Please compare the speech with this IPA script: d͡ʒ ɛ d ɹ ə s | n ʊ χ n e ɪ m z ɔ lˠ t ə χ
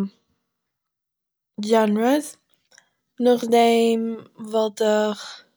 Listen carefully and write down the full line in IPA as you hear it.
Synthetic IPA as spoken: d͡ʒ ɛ n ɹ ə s | n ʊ χ d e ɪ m v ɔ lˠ t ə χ